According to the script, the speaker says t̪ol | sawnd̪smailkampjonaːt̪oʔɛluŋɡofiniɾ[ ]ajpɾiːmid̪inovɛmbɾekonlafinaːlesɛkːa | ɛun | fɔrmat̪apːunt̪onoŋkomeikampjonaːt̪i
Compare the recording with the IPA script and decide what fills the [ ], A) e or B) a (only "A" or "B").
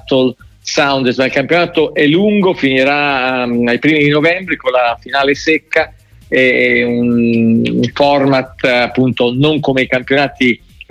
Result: B